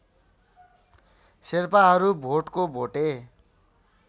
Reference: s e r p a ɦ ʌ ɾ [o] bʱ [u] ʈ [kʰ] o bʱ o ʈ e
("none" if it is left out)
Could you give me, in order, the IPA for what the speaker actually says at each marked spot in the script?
u, o, k

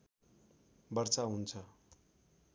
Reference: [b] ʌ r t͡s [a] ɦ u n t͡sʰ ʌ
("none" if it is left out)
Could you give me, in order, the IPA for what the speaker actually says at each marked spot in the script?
b, a

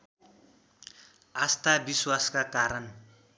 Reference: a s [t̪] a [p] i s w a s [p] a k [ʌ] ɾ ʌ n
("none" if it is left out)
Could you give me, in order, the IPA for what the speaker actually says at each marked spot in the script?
t̪, b, k, a

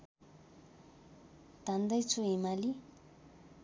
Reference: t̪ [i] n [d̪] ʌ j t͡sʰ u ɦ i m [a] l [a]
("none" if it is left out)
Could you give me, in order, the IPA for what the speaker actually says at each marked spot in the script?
a, d̪, a, i

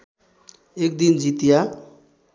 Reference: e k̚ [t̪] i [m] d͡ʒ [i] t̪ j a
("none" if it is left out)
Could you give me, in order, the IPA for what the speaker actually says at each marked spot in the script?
d̪, n, i

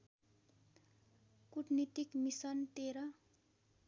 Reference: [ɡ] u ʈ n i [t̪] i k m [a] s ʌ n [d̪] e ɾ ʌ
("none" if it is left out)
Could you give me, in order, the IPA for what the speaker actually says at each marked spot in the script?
k, t̪, i, t̪

